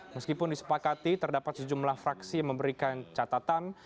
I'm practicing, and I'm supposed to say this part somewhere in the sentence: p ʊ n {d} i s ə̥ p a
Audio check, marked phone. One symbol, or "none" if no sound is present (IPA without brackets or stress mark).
d